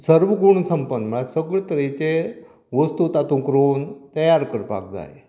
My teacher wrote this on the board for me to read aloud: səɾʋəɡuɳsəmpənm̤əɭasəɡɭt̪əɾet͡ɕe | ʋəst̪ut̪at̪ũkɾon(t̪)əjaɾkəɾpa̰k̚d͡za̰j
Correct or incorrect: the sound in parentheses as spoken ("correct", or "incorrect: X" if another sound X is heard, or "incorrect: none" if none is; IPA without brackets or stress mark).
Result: correct